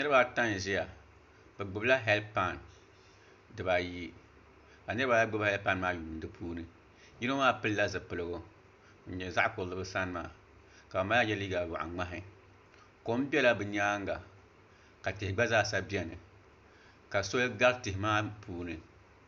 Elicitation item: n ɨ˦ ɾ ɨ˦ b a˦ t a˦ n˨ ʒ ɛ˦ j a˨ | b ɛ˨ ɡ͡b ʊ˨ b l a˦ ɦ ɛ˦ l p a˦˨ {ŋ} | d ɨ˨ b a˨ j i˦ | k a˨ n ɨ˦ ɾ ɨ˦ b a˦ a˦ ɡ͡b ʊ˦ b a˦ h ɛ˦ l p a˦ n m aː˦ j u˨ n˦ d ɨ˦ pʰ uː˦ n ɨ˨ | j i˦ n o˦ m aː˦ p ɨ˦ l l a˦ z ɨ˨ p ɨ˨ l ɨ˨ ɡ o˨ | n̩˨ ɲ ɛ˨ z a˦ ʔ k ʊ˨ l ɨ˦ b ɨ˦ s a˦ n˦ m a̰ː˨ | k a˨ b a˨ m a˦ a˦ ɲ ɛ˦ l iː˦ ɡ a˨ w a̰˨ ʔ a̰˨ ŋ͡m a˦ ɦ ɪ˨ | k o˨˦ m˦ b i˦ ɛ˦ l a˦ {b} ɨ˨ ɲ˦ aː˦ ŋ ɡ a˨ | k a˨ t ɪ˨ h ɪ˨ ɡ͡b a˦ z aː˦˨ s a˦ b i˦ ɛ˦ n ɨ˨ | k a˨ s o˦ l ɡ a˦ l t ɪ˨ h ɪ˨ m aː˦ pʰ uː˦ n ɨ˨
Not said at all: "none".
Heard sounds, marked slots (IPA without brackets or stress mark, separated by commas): n, b